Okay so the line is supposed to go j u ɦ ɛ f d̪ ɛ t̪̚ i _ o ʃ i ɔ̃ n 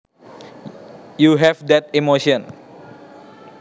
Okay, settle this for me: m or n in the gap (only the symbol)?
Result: m